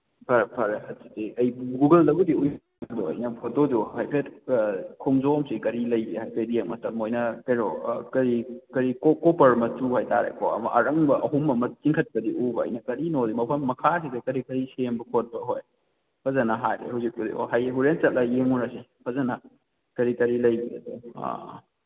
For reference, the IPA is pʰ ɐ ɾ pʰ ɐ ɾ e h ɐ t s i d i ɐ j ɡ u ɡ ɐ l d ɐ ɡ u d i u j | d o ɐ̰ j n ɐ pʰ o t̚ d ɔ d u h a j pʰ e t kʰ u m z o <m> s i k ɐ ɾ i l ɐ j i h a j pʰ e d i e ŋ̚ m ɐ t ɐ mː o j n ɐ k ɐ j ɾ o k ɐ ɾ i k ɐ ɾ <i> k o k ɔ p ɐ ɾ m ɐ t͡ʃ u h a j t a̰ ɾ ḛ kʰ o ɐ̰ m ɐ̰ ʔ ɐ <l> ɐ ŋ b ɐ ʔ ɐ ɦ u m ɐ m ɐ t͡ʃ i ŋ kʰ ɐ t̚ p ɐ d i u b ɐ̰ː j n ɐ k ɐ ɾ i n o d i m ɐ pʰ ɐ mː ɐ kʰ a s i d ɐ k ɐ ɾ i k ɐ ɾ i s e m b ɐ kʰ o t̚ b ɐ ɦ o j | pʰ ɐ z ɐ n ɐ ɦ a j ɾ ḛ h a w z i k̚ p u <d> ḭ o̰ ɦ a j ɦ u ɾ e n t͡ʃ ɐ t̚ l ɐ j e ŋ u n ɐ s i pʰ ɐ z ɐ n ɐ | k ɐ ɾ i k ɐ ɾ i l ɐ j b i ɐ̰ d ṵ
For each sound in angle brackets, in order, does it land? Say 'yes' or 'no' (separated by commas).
yes, yes, no, yes